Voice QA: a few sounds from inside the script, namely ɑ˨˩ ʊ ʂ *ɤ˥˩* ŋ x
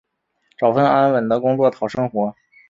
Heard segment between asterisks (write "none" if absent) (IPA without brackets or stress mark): ɤ˥